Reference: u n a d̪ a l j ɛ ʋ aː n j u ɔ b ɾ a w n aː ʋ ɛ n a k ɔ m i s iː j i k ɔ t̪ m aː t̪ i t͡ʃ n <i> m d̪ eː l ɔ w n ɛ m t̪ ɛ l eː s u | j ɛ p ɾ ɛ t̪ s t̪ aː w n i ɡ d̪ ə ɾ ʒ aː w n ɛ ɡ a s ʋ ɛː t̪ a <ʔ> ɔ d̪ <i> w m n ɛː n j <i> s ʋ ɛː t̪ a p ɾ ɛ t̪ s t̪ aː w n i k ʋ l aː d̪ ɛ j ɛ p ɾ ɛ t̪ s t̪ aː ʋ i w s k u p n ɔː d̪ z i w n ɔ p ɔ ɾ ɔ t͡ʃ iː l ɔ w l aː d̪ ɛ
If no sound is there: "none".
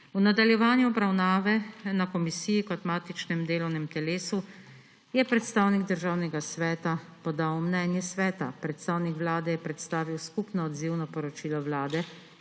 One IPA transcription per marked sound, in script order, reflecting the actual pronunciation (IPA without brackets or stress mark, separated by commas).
ɛ, p, a, ɛ